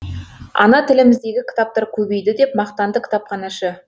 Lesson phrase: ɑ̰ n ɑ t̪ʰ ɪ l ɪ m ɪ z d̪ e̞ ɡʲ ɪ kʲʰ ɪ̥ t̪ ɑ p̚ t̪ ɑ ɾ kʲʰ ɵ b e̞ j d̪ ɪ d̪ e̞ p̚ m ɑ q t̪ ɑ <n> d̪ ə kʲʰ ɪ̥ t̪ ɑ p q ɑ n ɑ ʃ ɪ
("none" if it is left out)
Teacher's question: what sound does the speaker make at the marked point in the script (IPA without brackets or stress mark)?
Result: n